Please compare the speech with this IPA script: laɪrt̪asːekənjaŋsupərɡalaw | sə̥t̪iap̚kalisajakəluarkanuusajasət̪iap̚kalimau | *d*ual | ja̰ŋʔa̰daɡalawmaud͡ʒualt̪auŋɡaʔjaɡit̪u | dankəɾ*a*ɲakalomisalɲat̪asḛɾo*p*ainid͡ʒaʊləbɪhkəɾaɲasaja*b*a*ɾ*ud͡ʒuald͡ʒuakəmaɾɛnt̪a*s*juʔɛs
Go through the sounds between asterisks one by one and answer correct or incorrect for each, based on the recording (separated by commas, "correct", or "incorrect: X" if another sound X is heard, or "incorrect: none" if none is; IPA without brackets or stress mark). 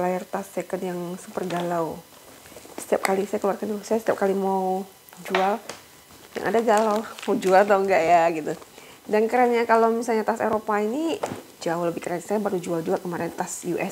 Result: incorrect: d͡ʒ, correct, correct, correct, correct, correct